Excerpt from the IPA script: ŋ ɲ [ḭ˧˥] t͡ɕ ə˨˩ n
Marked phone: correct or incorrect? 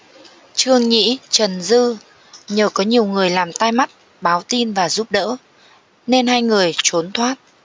correct